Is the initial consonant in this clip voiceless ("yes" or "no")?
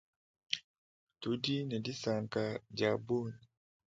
yes